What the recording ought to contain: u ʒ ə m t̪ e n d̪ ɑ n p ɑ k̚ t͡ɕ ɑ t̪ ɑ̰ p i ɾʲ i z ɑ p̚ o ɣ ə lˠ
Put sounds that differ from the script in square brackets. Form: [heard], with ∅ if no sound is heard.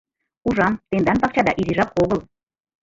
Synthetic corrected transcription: u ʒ [ɑ] m t̪ e n d̪ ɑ n p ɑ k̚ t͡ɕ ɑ [d̪] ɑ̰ [ʔ] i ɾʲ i [ʒ] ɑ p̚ o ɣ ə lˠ